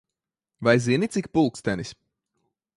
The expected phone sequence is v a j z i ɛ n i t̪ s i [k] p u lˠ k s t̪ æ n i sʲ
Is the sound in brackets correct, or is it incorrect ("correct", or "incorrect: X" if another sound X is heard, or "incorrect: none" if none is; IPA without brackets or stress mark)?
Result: correct